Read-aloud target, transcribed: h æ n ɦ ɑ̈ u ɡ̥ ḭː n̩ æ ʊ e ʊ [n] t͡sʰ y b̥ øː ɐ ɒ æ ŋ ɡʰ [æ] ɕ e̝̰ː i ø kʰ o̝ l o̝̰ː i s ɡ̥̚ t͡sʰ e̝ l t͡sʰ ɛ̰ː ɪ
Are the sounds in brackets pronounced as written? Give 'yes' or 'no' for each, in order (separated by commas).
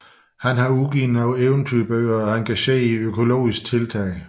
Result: yes, yes